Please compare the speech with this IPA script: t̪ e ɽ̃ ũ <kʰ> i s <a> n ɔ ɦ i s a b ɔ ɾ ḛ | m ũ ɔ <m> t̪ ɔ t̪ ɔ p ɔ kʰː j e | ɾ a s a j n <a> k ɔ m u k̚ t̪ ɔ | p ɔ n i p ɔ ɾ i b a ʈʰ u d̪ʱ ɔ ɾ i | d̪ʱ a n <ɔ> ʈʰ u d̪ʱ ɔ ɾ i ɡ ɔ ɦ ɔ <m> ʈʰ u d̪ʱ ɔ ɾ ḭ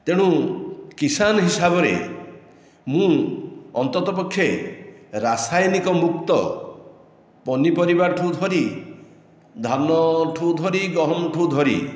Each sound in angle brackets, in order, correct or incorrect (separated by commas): incorrect, correct, incorrect, incorrect, correct, correct